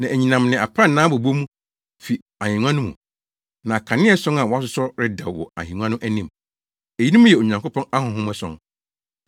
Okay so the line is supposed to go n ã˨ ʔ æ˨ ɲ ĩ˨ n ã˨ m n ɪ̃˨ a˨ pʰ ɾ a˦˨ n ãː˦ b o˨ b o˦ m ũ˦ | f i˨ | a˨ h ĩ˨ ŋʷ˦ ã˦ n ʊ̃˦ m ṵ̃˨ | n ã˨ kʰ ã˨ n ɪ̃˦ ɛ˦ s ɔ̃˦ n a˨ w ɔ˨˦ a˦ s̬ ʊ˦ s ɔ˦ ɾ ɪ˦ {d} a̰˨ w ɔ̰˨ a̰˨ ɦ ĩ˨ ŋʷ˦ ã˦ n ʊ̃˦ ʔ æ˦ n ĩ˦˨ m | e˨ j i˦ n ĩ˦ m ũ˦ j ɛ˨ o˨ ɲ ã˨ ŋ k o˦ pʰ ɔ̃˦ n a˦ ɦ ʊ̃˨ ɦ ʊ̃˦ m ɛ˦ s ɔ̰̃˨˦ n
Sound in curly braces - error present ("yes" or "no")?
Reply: no